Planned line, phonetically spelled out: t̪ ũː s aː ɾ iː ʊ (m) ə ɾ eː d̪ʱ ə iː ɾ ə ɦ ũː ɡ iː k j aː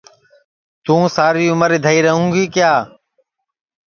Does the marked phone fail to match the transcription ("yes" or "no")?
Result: no